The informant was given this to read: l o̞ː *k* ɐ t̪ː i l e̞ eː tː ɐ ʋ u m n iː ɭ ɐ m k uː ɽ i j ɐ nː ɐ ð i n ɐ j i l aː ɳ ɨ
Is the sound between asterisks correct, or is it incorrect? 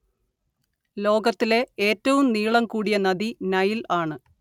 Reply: incorrect